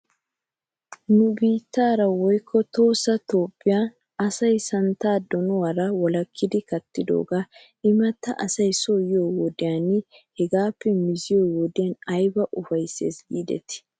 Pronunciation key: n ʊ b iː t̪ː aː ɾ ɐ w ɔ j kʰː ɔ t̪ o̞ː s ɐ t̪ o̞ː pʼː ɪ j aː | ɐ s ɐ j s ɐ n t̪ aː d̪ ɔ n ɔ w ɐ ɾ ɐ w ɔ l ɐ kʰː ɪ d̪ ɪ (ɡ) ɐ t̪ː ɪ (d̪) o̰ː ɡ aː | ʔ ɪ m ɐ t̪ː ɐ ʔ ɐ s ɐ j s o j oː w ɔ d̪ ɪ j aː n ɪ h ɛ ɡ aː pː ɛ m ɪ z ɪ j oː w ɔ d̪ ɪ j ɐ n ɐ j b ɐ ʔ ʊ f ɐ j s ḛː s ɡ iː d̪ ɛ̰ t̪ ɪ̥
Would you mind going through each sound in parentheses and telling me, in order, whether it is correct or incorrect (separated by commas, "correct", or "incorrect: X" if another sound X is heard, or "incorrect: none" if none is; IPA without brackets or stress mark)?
incorrect: k, correct